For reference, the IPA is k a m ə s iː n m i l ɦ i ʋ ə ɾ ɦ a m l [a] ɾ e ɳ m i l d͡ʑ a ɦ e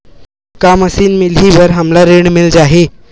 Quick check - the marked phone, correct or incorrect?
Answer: correct